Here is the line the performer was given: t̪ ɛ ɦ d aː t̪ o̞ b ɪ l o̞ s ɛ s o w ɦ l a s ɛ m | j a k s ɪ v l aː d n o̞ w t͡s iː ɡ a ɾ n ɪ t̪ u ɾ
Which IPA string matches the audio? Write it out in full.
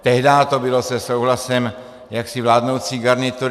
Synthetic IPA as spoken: t̪ ɛ ɦ d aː t̪ o̞ b ɪ l o̞ s ɛ s o w ɦ l a s ɛ m | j a k s ɪ v l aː d n o̞ w t͡s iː ɡ a ɾ n ɪ t̪ u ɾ